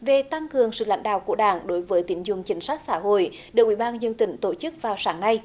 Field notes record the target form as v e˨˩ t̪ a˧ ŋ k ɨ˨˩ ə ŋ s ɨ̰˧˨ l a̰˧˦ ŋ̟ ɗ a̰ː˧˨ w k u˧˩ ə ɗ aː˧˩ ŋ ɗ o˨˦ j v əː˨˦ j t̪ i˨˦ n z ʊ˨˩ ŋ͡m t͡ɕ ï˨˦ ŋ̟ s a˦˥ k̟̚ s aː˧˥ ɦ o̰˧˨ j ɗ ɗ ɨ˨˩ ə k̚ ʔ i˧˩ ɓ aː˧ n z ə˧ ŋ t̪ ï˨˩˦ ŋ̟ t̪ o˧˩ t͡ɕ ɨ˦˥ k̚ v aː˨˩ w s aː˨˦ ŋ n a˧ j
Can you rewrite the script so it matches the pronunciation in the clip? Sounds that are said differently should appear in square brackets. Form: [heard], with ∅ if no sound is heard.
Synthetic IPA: v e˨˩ t̪ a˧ ŋ k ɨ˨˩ ə ŋ s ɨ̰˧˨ l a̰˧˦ ŋ̟ ɗ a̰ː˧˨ w k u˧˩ ə ɗ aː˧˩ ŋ ɗ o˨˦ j v əː˨˦ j t̪ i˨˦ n z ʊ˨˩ ŋ͡m t͡ɕ ï˨˦ ŋ̟ s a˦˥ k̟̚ s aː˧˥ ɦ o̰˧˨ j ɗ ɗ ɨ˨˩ ə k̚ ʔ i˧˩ ɓ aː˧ n z ə˧ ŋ t̪ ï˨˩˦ ŋ̟ t̪ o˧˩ t͡ɕ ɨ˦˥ k̚ v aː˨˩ w s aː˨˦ ŋ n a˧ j